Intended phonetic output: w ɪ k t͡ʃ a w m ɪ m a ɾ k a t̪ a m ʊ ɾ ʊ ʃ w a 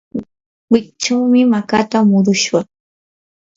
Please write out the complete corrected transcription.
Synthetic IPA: w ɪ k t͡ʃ a w m ɪ m a k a t̪ a m ʊ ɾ ʊ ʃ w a